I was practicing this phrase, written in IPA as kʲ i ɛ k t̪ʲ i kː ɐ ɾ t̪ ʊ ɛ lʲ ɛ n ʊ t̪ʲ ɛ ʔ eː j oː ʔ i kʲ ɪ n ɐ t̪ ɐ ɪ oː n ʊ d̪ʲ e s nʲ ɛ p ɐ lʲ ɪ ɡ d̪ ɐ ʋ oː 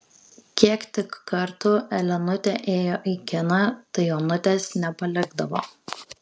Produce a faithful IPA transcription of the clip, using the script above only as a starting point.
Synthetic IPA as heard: kʲ i ɛ k t̪ʲ ɪ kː ɐ ɾ t̪ ʊ ɛ lʲ ɛ n ʊ t̪ʲ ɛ ʔ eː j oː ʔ i kʲ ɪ n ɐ t̪ ɐ ɪ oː n ʊ t̪ʲ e s nʲ ɛ p ɐ lʲ ɪ ɡ d̪ ɐ ʋ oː